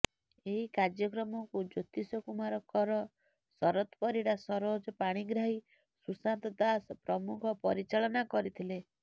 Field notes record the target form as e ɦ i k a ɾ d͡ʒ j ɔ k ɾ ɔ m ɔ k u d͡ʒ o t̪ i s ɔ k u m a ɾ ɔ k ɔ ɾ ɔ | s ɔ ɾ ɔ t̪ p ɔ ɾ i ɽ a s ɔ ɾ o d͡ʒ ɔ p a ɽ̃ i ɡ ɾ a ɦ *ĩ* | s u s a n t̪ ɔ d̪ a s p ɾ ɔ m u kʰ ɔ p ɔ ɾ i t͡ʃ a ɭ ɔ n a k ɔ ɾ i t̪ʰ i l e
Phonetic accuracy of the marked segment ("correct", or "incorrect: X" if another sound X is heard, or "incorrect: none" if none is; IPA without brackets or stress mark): incorrect: i